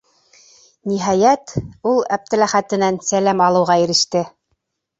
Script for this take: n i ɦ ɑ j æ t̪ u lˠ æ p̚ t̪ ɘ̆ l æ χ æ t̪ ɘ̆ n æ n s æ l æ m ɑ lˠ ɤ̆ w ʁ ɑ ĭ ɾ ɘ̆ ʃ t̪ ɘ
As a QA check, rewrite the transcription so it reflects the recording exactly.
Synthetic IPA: n i ɦ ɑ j æ t̪ u lˠ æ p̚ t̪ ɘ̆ l æ χ æ t̪ ɘ̆ n æ n s æ l æ m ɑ lˠ ɤ̆ w ʁ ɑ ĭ ɾ ɘ̆ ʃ t̪ ɘ